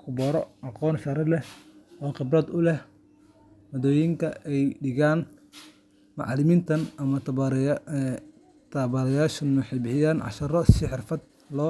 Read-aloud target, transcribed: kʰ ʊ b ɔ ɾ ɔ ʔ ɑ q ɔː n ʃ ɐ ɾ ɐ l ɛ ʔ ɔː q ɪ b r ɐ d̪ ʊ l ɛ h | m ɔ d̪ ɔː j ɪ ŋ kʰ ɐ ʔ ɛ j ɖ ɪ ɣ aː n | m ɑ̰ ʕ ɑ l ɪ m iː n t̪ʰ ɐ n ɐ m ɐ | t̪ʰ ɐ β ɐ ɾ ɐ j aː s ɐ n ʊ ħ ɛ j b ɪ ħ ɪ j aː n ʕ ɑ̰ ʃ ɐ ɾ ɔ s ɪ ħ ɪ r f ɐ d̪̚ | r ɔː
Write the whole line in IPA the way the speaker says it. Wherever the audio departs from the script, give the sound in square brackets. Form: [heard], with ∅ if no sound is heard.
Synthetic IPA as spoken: kʰ ʊ b ɔ ɾ ɔ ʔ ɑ q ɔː n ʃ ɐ ɾ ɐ l ɛ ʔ ɔː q ɪ b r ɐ d̪ ʊ l ɛ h | m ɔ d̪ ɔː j ɪ ŋ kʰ ɐ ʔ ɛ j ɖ ɪ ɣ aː n | m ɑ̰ ʕ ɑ l ɪ m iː n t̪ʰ ɐ n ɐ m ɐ | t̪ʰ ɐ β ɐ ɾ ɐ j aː [ʃ] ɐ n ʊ ħ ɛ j b ɪ ħ ɪ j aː n ʕ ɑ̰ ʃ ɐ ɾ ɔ s ɪ ħ ɪ r f ɐ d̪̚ | [l] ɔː